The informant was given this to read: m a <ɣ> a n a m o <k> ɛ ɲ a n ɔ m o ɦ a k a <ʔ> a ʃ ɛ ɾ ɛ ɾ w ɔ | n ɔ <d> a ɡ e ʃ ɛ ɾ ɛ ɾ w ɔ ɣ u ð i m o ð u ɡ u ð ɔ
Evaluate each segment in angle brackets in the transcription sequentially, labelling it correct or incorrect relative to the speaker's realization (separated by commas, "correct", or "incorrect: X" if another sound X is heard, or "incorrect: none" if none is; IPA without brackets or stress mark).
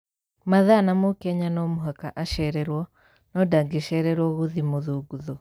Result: incorrect: ð, correct, correct, correct